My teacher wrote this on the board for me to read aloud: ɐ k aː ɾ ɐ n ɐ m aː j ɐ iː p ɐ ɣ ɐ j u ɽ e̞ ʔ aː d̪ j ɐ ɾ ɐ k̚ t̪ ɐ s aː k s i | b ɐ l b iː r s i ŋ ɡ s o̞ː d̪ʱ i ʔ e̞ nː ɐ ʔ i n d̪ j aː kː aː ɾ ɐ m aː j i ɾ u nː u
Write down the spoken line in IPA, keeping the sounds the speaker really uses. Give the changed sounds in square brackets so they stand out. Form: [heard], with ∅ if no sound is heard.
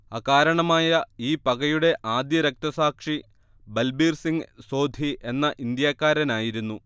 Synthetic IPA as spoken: ɐ k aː ɾ ɐ [ɳ] ɐ m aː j ɐ iː p ɐ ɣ ɐ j u ɽ e̞ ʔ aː d̪ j ɐ ɾ ɐ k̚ t̪ ɐ s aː k [ʂ] i | b ɐ l b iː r s i ŋ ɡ s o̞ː d̪ʱ i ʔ e̞ nː ɐ ʔ i n d̪ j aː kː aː ɾ ɐ [n] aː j i ɾ u nː u